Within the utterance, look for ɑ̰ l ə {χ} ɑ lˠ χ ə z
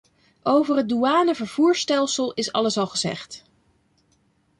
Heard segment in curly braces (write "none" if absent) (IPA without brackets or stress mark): s